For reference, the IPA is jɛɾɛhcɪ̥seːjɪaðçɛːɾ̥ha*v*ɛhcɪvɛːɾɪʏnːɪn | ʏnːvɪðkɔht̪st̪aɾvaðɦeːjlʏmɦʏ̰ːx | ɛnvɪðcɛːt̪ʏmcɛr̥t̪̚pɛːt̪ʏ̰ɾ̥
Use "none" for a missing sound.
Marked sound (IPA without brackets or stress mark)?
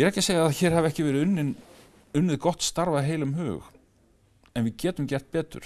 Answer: v